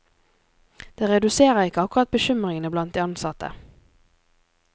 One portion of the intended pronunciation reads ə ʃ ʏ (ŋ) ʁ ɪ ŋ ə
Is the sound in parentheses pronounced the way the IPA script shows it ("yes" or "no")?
no